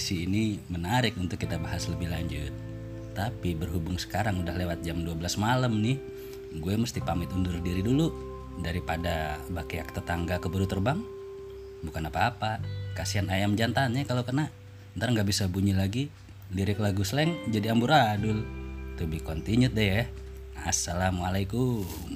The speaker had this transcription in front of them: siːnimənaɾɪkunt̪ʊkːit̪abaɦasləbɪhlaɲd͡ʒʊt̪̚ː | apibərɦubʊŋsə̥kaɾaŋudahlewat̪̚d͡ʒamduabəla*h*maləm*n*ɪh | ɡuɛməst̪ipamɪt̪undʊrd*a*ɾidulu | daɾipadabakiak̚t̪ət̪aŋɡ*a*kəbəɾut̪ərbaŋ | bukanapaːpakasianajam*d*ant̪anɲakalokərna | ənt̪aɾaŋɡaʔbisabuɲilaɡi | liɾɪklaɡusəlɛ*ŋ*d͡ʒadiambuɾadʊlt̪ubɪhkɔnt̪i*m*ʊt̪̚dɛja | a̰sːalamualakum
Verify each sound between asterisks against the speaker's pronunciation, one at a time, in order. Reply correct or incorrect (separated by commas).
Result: incorrect, correct, incorrect, correct, incorrect, correct, incorrect